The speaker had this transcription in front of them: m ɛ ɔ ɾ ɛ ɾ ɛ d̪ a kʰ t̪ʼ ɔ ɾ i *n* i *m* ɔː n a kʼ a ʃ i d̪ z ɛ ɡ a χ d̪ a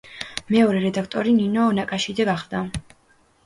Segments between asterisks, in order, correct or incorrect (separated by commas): correct, incorrect